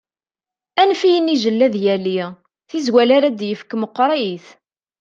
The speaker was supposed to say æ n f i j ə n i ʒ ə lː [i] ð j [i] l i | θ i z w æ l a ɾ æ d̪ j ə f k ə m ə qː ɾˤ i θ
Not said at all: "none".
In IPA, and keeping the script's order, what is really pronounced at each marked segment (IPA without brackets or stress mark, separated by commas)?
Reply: æ, æ